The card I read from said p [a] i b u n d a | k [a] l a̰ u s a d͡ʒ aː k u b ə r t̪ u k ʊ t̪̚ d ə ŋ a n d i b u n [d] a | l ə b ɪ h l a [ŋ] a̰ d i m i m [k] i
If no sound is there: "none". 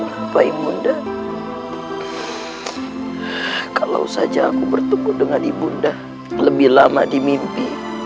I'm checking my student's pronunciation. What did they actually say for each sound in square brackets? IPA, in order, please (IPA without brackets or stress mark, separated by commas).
a, a, d, m, p